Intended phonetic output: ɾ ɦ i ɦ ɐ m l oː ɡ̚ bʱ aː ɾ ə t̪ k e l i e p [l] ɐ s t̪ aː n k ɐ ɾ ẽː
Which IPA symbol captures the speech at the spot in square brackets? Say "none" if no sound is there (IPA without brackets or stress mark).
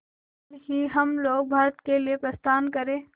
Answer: ɾ